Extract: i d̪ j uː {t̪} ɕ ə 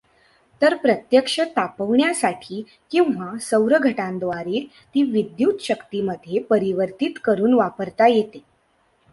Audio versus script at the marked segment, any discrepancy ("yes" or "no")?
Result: no